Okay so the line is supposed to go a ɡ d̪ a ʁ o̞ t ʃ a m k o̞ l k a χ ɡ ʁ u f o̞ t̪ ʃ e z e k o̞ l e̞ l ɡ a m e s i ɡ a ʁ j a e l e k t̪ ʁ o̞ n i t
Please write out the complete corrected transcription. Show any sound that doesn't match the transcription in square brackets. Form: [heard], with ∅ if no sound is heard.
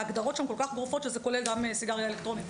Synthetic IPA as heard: a ɡ d̪ a ʁ o̞ t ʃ a m k o̞ l k a χ ɡ ʁ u f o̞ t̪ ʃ e z e k o̞ l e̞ l ɡ a m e s i ɡ a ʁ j a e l e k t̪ ʁ o̞ n i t

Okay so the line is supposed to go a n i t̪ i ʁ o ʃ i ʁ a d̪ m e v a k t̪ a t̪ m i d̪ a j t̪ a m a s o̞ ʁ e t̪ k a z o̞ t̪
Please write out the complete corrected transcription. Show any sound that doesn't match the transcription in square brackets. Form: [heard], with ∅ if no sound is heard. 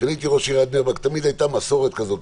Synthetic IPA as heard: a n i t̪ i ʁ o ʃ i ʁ a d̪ [n] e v a k t̪ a [∅] m i d̪ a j t̪ a m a s o̞ ʁ e t̪ k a z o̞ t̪

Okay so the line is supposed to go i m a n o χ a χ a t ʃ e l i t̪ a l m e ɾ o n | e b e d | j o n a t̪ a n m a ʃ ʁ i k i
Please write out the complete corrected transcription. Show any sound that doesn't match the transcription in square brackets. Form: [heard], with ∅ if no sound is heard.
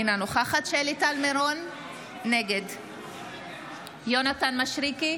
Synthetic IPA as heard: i [n] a n o χ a χ a t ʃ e l i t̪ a l m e ɾ o [nː] | e [ɡ] e d | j o n a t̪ a n m a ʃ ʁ i k i

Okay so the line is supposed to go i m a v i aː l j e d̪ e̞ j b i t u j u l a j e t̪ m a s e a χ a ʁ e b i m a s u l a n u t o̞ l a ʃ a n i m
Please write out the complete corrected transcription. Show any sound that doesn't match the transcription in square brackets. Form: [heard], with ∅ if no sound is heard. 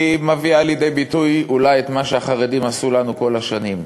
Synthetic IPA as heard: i m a v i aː l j e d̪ e̞ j b i t u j u l a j e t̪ m a [ʃ] e a χ a ʁ e [d] i m a s u l a n u [k] o̞ l a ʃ a n i m

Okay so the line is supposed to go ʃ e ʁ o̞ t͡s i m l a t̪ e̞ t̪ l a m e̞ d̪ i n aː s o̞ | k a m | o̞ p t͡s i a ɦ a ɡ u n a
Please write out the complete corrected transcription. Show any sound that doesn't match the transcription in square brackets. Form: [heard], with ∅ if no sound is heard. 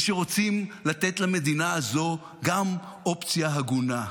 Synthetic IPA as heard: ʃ e ʁ o̞ t͡s i m l a t̪ e̞ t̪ l a m e̞ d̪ i n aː [z] o̞ | [ɡ] a m | o̞ p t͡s [j] a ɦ a ɡ u n a

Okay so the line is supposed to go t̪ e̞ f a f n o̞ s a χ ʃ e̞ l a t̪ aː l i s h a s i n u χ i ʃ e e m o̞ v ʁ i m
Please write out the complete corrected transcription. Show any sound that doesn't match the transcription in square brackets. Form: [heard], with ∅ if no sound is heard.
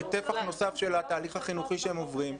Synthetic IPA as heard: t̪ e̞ f a [χ] n o̞ s a [f] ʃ e̞ l a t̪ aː l i [χ] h a [χ] i n u χ i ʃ e e m o̞ v ʁ i m

